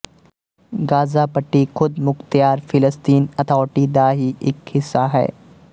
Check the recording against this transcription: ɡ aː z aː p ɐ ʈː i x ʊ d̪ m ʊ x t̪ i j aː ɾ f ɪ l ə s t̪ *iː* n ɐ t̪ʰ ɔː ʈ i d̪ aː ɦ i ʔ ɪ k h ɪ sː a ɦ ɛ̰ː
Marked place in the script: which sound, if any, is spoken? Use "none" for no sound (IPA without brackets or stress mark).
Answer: iː